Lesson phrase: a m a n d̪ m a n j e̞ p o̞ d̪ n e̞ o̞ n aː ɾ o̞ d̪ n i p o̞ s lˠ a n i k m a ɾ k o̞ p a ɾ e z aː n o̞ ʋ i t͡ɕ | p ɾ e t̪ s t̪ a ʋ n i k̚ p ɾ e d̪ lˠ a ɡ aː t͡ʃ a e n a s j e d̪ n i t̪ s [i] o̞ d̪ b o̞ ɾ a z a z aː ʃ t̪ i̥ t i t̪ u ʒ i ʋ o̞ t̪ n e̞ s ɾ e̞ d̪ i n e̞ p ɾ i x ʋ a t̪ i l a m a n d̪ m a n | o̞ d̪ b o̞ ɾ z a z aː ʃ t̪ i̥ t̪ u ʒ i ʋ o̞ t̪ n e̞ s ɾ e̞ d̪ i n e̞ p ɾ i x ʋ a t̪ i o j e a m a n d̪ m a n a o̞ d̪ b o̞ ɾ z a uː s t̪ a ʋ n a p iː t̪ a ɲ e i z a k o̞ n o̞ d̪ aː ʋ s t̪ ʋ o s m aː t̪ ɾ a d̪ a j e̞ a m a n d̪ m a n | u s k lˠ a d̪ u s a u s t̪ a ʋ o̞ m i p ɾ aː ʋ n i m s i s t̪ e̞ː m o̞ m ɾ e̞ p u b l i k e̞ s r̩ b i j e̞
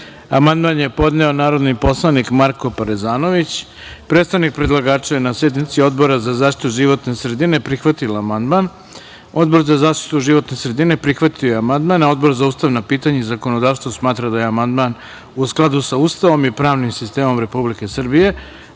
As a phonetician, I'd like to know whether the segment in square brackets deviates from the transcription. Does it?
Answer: no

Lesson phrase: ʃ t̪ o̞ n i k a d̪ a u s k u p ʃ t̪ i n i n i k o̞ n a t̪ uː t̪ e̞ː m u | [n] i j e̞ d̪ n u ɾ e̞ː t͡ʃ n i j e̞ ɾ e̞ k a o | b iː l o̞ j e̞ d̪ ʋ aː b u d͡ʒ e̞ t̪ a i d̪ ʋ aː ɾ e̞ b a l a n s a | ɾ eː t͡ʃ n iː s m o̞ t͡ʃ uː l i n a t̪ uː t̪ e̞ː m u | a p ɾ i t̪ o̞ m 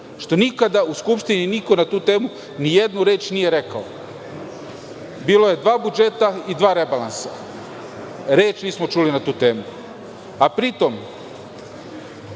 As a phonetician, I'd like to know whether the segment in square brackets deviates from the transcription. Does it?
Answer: no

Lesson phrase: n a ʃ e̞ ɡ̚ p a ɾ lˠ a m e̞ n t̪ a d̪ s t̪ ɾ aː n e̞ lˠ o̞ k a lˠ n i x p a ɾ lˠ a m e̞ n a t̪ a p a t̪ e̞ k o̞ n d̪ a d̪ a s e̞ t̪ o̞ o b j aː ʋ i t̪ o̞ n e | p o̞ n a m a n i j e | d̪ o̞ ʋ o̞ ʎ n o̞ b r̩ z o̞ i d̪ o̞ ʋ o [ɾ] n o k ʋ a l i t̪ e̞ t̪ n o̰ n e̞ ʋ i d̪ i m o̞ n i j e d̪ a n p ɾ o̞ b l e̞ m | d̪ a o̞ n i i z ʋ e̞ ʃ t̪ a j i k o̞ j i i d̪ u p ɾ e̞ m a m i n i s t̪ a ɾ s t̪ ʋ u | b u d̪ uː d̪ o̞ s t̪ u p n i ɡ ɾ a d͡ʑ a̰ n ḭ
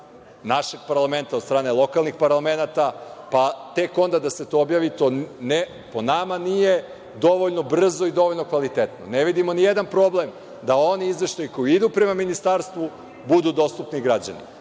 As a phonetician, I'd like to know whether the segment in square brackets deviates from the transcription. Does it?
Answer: yes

